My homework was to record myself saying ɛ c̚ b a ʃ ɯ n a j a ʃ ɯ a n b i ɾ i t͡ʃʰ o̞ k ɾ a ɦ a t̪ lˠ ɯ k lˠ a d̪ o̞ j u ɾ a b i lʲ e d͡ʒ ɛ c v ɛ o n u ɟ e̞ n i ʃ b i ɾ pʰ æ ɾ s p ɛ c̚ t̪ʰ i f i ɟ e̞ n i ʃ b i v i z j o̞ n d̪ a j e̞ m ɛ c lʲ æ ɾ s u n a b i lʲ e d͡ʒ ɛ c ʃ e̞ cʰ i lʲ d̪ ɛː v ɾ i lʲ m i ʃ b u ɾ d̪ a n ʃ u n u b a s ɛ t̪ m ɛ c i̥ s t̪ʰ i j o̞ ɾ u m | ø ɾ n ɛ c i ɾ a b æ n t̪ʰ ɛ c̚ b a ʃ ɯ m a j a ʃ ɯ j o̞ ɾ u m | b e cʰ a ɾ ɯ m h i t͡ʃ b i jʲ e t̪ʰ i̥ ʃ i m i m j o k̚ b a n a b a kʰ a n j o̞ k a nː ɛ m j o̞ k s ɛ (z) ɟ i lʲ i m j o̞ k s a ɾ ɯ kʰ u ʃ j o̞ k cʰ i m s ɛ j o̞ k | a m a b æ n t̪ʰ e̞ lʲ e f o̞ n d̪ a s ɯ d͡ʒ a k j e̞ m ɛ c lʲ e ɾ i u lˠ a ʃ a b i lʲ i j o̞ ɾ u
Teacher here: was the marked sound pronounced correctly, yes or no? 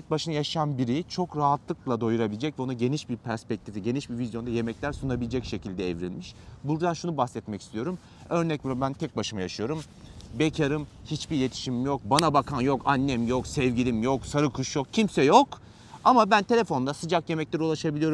no